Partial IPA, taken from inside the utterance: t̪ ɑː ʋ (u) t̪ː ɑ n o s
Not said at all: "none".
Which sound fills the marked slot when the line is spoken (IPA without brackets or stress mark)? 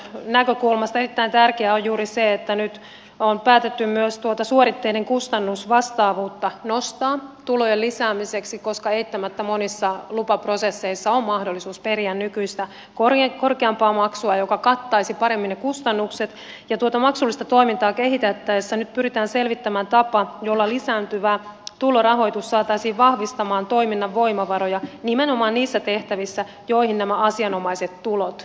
uː